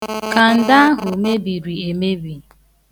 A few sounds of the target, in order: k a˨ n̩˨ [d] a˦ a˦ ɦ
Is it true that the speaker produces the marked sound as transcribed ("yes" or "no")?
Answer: yes